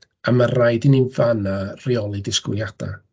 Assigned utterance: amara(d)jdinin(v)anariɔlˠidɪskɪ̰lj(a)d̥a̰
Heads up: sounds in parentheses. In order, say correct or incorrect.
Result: incorrect, correct, correct

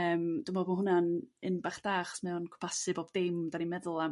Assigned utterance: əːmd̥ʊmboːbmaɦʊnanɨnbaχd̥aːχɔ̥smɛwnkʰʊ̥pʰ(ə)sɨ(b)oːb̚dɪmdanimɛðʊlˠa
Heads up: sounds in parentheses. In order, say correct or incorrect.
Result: incorrect, correct

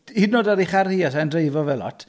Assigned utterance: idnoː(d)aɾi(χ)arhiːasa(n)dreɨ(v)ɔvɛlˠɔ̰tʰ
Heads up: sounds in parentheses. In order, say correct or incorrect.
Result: correct, correct, correct, correct

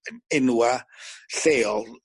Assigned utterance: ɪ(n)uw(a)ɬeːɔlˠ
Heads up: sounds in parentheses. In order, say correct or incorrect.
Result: correct, correct

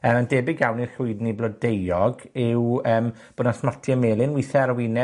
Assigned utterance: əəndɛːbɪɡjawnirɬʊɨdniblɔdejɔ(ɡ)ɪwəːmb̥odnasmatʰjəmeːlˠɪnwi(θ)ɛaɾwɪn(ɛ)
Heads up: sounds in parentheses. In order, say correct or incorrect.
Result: correct, correct, correct

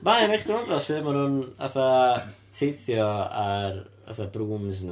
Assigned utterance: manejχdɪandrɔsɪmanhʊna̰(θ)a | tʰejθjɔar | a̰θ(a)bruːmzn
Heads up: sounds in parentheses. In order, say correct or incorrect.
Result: correct, correct

